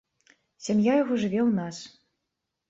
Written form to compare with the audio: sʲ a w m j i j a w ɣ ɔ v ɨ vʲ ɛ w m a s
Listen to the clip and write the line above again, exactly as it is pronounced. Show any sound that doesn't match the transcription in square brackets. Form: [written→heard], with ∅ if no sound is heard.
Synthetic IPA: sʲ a [w→∅] m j [i→a] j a [w→∅] ɣ ɔ [v→ʐ] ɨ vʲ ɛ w [m→n] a s